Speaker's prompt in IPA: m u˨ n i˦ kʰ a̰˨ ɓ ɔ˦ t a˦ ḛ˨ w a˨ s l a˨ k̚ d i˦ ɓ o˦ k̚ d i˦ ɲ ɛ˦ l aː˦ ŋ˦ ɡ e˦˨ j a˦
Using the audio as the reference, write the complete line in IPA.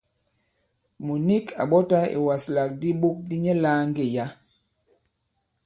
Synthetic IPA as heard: m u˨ n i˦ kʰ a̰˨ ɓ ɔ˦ t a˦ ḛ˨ w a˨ s l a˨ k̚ d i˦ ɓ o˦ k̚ d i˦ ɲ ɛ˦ l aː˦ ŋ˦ ɡ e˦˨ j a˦